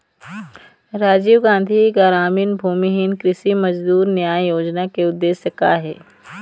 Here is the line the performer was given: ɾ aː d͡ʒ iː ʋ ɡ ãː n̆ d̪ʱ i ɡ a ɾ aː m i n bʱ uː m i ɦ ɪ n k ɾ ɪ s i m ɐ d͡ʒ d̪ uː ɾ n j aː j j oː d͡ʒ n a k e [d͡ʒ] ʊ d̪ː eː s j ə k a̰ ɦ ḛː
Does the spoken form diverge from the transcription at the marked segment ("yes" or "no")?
yes